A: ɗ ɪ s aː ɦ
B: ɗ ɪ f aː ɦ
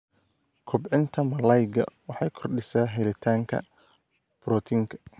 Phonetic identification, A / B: A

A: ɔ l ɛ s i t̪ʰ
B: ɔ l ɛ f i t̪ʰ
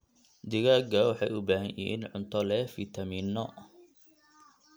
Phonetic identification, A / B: B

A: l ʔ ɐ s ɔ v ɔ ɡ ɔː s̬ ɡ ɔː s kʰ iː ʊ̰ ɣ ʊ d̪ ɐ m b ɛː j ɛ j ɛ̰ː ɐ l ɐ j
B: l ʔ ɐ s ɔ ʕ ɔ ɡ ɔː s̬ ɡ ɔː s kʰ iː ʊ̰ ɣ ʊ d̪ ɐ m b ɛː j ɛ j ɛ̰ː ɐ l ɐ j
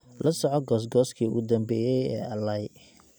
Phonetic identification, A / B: B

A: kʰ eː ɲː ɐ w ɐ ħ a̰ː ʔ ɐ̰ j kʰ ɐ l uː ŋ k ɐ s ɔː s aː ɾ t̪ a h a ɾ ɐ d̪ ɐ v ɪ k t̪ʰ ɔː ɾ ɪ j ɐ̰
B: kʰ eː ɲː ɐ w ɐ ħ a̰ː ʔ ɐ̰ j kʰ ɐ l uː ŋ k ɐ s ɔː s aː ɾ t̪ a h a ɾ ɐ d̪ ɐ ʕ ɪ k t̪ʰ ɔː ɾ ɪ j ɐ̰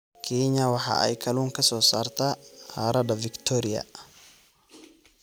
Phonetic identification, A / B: A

